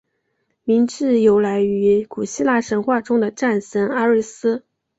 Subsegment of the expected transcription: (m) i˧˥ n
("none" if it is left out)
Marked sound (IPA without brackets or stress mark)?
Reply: m